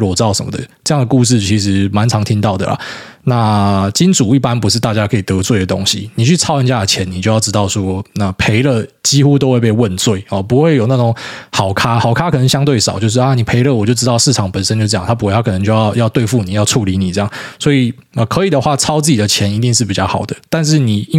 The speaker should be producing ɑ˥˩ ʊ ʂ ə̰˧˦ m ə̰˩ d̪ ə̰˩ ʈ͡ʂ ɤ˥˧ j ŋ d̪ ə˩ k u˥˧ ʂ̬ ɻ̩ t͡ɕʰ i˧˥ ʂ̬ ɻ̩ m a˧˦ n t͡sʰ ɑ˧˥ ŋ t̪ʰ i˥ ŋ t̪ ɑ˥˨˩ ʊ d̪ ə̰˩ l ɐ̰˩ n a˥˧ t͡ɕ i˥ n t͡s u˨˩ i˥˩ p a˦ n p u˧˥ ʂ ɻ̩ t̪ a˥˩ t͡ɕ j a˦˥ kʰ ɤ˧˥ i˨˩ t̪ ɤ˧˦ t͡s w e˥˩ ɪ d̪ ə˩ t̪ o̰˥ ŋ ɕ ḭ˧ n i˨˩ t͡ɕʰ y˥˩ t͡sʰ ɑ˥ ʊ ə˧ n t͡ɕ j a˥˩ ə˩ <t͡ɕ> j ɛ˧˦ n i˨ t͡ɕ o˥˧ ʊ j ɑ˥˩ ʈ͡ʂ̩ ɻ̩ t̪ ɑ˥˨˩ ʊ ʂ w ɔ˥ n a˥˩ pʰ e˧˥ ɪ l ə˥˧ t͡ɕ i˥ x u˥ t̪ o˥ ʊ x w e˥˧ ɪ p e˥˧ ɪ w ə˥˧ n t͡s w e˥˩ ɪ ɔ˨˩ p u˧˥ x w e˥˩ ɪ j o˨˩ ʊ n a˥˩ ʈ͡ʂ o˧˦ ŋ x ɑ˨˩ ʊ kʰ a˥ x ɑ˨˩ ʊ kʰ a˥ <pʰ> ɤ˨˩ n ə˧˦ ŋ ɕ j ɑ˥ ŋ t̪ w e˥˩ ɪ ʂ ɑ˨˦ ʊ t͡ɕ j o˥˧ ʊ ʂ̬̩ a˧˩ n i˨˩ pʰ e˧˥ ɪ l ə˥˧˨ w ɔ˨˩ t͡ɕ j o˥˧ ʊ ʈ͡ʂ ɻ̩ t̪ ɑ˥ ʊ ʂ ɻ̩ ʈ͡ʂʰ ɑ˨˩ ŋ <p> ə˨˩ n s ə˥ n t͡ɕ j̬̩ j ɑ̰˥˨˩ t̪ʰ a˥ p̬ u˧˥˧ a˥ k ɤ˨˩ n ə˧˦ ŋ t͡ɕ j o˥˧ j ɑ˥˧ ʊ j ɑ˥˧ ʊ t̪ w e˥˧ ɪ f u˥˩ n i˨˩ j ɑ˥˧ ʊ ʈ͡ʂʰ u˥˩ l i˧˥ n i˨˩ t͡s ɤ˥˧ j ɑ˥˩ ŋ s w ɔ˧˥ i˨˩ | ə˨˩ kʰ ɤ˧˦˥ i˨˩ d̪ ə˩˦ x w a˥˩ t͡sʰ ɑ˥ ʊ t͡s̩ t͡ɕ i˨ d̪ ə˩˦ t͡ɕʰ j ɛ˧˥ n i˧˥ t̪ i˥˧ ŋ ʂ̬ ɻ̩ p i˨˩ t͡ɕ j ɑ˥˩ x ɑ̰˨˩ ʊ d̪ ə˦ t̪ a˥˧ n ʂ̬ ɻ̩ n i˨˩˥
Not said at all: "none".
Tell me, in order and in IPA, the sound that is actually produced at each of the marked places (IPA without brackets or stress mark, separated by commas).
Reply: t͡ɕʰ, kʰ, p